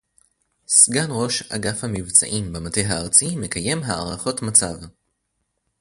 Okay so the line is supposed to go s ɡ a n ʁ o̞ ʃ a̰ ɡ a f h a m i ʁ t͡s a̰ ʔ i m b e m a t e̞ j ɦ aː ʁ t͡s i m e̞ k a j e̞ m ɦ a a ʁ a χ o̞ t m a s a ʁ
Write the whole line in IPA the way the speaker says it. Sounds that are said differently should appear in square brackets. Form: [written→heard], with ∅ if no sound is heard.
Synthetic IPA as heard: s ɡ a n ʁ o̞ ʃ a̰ ɡ a f h a m i [ʁ→v] t͡s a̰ ʔ i m b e m a t e̞ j ɦ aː ʁ t͡s i m e̞ k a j e̞ m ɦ a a ʁ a χ o̞ t m a [s→t͡s] a [ʁ→v]